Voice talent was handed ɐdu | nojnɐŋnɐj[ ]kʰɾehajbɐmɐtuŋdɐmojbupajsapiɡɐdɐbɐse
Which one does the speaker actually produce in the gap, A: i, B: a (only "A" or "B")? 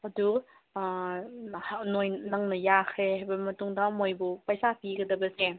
B